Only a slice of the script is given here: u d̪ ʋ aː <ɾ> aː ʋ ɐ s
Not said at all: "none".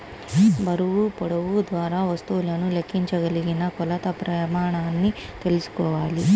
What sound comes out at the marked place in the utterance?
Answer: ɾ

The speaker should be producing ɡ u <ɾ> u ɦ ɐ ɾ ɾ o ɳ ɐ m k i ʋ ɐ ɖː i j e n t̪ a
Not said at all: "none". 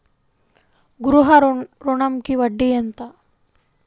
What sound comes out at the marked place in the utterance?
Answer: ɾ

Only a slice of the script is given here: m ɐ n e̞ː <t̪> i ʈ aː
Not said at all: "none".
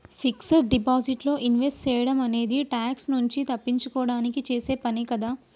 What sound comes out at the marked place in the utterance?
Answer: d̪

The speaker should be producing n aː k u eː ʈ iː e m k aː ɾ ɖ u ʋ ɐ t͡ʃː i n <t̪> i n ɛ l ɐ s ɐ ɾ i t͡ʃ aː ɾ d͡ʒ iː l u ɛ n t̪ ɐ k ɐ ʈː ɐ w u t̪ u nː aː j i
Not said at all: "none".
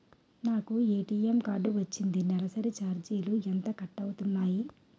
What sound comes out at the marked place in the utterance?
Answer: d̪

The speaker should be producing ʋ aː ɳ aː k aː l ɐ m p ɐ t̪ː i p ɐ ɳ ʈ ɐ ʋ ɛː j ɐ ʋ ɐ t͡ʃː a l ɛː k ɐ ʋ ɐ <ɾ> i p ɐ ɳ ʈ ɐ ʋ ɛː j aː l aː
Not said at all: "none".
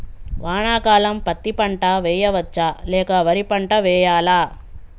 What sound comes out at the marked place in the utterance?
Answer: ɾ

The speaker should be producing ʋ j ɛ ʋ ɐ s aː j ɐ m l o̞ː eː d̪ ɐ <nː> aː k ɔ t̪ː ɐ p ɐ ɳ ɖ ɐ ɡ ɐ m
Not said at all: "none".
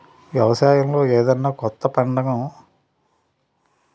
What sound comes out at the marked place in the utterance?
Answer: nː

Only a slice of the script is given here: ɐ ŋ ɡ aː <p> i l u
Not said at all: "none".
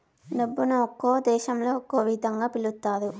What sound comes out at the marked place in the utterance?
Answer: p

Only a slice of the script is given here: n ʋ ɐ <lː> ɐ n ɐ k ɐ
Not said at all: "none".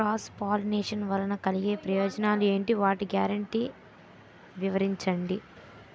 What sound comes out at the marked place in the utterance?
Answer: l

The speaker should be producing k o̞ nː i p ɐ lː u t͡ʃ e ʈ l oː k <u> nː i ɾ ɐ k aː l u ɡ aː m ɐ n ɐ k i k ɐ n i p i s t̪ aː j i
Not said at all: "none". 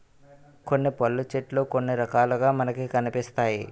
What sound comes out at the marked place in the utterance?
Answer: o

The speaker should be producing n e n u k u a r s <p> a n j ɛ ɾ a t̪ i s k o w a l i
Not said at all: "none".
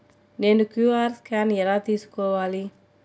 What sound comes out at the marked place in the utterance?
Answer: k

